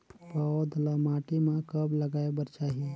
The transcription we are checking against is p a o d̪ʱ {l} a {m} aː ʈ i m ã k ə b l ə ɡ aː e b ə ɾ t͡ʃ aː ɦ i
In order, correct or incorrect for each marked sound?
correct, correct

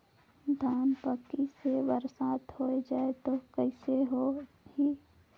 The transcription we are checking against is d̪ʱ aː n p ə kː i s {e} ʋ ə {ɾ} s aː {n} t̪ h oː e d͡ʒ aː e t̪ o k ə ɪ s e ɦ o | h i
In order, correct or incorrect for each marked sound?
correct, correct, incorrect: none

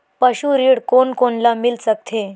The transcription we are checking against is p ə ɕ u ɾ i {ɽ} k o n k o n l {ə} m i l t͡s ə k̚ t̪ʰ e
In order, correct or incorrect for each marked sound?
correct, incorrect: a

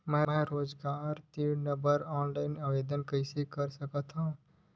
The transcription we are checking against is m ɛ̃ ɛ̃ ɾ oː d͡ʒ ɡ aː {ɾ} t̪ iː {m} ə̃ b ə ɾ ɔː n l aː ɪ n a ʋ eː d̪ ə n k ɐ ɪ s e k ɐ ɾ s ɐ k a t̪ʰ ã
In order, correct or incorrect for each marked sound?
correct, incorrect: n

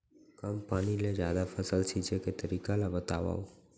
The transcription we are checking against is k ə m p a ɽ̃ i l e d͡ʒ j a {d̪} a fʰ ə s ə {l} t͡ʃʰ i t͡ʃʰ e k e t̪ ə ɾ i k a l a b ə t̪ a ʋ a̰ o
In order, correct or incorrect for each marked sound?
correct, correct

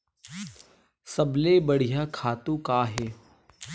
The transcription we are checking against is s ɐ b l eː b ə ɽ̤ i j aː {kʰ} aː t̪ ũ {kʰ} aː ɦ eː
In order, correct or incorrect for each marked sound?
correct, incorrect: k

